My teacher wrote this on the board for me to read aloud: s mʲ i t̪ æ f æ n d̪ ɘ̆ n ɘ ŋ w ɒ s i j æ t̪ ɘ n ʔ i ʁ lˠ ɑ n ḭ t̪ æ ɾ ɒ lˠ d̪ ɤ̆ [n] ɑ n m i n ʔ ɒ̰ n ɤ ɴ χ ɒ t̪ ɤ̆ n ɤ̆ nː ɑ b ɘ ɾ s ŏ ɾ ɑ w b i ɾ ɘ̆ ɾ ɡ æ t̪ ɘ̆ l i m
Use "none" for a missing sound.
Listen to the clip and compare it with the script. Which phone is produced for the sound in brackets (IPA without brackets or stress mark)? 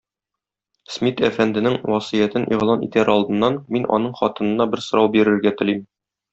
nː